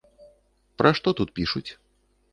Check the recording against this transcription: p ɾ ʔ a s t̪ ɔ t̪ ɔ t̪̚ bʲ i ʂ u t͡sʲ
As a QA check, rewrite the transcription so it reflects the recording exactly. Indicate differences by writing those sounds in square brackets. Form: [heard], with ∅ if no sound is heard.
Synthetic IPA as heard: p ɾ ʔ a [ʂ] t̪ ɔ t̪ [u] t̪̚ [pʲ] i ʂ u t͡sʲ